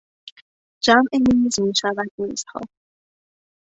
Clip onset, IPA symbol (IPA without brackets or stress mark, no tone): d͡ʒ